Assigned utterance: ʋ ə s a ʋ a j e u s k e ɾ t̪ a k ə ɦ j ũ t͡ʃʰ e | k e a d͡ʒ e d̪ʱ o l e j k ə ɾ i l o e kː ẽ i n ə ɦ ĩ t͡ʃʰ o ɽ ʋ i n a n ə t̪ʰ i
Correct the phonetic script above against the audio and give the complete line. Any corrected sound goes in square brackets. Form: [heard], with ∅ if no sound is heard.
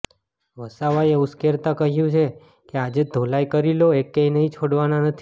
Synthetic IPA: ʋ ə s a ʋ a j e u s k e ɾ t̪ a k ə ɦ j ũ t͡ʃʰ e | k e a d͡ʒ e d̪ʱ o l [a] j k ə ɾ i l o e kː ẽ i n ə ɦ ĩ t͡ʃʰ o ɽ ʋ [a] n a n ə t̪ʰ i